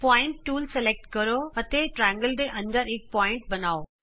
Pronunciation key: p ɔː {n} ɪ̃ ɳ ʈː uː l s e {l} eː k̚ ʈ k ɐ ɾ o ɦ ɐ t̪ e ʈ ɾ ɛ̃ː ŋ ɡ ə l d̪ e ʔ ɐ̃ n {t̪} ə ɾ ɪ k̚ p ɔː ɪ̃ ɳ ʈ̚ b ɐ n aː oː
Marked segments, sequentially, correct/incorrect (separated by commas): incorrect, correct, incorrect